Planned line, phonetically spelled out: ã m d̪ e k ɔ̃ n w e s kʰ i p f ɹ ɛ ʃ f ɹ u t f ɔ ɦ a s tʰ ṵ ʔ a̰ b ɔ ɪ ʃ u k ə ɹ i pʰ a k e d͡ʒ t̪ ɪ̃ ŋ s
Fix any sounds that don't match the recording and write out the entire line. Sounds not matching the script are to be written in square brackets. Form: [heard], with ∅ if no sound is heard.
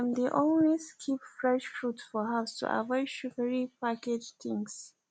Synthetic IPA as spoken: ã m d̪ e [ʔ] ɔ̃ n w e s kʰ i p f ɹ ɛ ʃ f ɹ u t f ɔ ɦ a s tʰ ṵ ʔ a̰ [v] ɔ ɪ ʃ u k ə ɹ i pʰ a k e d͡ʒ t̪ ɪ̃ ŋ s

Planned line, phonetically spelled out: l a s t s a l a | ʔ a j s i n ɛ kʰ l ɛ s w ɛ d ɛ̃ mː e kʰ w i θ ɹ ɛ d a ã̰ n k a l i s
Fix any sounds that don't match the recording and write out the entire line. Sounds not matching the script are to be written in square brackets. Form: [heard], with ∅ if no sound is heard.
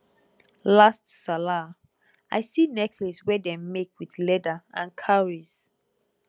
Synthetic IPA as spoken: l a s t s a l a | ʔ a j s i n ɛ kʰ l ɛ s w ɛ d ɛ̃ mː e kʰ w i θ [l] ɛ d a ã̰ n [kʰ] a [ɹ] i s

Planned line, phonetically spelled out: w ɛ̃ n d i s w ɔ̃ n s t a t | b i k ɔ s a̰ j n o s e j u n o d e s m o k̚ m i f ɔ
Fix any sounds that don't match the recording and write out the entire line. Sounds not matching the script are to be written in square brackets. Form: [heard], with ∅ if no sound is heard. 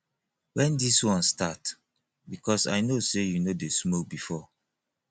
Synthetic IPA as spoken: w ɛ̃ n d i s w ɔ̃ n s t a t | b i k ɔ s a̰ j n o s e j u n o d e s m o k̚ [b] i f ɔ

